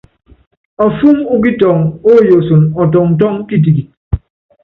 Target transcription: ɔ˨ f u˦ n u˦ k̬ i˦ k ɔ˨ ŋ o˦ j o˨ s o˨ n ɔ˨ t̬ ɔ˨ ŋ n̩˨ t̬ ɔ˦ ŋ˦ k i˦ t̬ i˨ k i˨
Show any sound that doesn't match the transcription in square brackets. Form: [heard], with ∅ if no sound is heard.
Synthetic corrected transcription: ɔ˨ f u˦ [m] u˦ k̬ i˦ [t] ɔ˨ ŋ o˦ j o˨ s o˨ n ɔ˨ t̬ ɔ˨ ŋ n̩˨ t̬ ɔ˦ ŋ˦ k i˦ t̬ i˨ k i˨